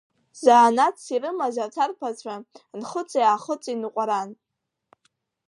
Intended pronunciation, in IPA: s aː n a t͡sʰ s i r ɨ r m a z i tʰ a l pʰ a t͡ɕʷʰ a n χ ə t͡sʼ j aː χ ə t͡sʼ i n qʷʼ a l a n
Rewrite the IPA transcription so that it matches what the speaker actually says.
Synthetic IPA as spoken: z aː n a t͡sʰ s i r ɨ m a z a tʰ a r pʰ a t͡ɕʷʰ a n χ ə t͡sʼ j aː χ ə t͡sʼ i n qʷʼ a ɾ a n